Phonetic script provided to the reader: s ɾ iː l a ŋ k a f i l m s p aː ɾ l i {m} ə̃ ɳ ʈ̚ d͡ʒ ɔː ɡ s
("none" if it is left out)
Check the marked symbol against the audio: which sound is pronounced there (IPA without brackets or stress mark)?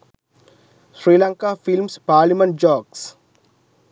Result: m